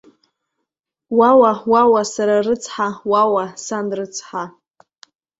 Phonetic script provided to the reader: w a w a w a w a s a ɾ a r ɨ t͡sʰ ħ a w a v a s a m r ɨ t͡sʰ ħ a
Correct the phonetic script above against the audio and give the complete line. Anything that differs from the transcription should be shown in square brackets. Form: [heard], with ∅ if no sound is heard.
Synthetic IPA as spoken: w a w a w a w a s a ɾ a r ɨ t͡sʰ ħ a w a [w] a s a [n] r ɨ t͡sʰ ħ a